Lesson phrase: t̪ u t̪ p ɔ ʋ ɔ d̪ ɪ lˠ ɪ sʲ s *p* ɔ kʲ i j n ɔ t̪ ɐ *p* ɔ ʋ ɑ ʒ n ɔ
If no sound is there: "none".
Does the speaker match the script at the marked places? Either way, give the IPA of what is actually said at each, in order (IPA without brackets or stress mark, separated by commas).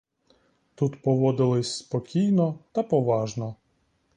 p, p